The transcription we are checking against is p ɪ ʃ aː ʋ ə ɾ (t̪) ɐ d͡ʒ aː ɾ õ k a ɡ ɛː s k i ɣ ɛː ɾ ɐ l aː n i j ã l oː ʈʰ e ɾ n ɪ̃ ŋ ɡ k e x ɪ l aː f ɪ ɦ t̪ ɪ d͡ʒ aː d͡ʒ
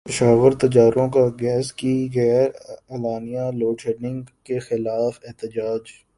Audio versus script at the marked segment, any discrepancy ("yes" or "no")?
no